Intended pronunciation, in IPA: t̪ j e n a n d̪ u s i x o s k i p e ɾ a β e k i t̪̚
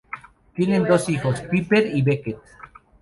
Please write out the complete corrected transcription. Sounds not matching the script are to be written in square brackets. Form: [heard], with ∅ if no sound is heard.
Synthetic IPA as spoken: t̪ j e n [e] n d̪ [o] s i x o s [p] i p e ɾ [i] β e k [e] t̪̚

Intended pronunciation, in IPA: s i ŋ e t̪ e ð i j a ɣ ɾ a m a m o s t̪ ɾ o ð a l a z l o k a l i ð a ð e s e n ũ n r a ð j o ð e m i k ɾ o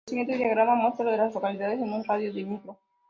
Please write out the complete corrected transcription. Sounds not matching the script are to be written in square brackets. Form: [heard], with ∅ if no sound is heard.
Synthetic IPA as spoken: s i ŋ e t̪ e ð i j a ɣ ɾ a m a m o s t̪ ɾ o ð [e] l a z l o k a l i ð a ð e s e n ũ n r a ð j o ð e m i k ɾ o

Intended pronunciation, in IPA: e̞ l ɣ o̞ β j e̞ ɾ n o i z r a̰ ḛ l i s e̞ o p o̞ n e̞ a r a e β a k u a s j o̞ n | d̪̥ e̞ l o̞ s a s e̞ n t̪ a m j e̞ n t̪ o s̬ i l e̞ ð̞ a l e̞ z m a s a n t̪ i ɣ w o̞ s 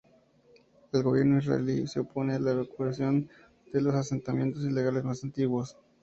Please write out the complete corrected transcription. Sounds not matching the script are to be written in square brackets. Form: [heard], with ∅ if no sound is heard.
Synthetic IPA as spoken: e̞ l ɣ o̞ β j e̞ ɾ n o i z r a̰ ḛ l i s e̞ o p o̞ n e̞ a [l] a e β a k u a s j o̞ n | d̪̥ e̞ l o̞ s a s e̞ n t̪ a m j e̞ n t̪ o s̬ i l e̞ [ɣ̞] a l e̞ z m a s a n t̪ i ɣ w o̞ s

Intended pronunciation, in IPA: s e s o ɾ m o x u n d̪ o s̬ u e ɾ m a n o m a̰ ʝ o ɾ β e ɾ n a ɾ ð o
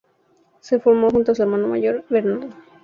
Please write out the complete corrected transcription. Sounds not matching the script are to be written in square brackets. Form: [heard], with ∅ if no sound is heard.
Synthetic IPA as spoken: s e [f] o ɾ m o x u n [t̪] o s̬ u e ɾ m a n o m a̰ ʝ o ɾ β e ɾ n a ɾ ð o

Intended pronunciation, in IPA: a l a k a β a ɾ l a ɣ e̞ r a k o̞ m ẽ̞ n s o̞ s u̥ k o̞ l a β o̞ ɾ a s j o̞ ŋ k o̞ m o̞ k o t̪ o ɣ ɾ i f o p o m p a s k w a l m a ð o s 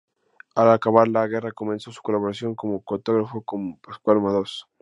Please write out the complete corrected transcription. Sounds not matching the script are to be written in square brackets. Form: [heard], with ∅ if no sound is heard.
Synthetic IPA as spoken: a l a k a β a ɾ l a ɣ e̞ r a k o̞ m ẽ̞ n s o̞ s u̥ k o̞ l a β o̞ ɾ a s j o̞ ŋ k o̞ m o̞ k o t̪ o ɣ ɾ [a] f o [k] o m p a s k w a l m a ð o s

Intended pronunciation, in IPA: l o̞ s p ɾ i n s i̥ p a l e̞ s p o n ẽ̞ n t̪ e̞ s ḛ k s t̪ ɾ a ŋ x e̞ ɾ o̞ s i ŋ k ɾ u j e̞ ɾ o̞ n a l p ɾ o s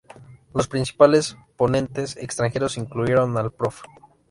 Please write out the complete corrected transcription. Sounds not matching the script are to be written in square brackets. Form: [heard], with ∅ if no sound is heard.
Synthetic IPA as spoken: l o̞ s p ɾ i n s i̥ p a l e̞ s p o n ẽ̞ n t̪ e̞ s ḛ k s t̪ ɾ a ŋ x e̞ ɾ o̞ s i ŋ k [l] u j e̞ ɾ o̞ n a l p ɾ o [f]

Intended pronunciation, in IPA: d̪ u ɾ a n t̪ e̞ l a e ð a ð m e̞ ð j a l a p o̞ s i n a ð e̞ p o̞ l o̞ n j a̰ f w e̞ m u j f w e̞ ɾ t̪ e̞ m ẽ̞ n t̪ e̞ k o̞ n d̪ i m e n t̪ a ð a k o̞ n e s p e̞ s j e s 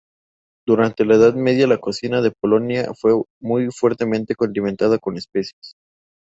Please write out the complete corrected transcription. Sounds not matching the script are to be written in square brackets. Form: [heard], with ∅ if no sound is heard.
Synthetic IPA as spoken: d̪ u ɾ a n t̪ e̞ l a e ð a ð m e̞ ð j a l a [k] o̞ s i n a ð e̞ p o̞ l o̞ n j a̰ f w e̞ m u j f w e̞ ɾ t̪ e̞ m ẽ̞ n t̪ e̞ k o̞ n d̪ i m e n t̪ a ð a k o̞ n e s p e̞ s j e s

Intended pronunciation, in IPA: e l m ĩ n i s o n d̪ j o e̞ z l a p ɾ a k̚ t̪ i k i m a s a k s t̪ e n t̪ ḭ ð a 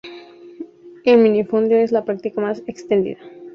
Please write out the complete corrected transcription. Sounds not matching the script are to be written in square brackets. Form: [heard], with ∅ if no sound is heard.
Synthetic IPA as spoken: e l m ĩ n i [f] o n d̪ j o e̞ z l a p ɾ a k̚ t̪ i k [a] m a s [e] k s t̪ e n [d̪] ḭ ð a

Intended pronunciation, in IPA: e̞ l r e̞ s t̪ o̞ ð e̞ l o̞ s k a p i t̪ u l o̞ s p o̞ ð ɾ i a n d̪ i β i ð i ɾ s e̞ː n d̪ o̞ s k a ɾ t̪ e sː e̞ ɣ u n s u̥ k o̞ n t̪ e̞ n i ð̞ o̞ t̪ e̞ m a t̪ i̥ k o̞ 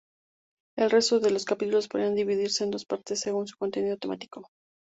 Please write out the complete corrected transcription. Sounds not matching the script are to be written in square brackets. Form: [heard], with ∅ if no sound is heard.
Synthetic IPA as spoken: e̞ l r e̞ s t̪ o̞ ð e̞ l o̞ s k a p i t̪ u l o̞ s p o̞ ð ɾ i a n d̪ i β i ð i ɾ s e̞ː n d̪ o̞ s [p] a ɾ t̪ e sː e̞ ɣ u n s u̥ k o̞ n t̪ e̞ n i ð̞ o̞ t̪ e̞ m a t̪ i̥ k o̞

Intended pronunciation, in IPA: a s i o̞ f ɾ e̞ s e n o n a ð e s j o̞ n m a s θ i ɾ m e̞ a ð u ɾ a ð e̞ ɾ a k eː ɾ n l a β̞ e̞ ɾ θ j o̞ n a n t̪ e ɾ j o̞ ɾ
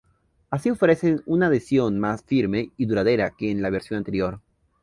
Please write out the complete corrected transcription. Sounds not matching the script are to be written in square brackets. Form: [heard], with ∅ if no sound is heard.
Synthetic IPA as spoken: a s i o̞ f ɾ e̞ s e n [u] n a ð e s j o̞ n m a s [f] i ɾ m e̞ [i] ð u ɾ a ð e̞ ɾ a k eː [∅] n l a β̞ e̞ ɾ [s] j o̞ n a n t̪ e ɾ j o̞ ɾ

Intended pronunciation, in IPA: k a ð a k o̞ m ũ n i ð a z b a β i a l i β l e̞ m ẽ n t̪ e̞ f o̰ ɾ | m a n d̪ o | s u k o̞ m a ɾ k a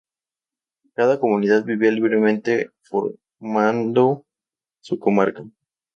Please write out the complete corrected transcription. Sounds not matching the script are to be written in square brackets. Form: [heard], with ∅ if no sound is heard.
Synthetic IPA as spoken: k a ð a k o̞ m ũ n i ð a [ð] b [i] β i a l i β [ɾ] e̞ m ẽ n t̪ e̞ f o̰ ɾ | m a n d̪ o | s u k o̞ m a ɾ k a

